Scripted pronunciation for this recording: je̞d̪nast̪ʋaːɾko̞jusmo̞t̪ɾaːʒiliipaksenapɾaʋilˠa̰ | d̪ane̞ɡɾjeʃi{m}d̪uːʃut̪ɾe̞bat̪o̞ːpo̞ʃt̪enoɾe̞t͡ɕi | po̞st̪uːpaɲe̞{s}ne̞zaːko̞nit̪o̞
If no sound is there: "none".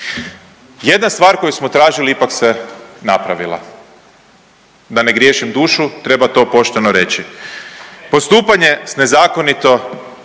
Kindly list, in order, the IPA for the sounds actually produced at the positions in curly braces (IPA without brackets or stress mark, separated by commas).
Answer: m, s